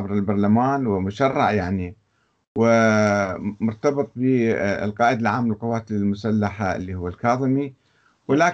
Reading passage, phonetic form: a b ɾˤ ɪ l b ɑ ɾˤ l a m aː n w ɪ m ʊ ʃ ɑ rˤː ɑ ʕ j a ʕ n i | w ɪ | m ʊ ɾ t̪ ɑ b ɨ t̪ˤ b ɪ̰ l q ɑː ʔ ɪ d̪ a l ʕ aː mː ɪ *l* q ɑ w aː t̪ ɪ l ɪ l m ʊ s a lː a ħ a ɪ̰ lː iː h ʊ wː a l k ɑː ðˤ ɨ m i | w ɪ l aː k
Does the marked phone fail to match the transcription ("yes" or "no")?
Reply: no